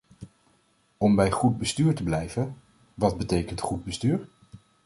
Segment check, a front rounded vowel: present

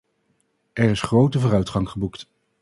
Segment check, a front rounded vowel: present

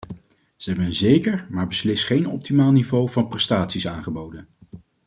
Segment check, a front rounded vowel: absent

